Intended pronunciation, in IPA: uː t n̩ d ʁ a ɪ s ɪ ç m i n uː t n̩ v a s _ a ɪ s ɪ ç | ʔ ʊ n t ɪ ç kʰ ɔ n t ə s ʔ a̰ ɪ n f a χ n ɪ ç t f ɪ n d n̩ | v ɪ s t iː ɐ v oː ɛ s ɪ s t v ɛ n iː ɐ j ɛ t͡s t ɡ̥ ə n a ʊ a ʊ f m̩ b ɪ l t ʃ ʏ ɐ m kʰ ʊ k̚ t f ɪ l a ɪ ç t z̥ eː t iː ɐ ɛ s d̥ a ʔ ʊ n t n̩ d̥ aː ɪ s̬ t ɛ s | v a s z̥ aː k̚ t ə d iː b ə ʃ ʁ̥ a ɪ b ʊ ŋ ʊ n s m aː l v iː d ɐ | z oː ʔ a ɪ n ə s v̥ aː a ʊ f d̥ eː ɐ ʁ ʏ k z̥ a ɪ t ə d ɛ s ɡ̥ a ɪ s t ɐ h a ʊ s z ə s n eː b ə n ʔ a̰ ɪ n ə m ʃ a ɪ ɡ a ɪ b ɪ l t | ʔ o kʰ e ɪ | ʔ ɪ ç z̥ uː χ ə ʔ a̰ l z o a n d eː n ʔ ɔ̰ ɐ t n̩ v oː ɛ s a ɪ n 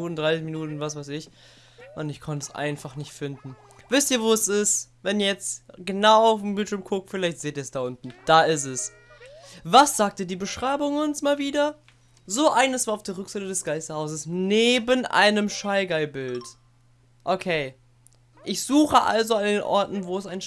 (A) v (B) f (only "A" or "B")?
A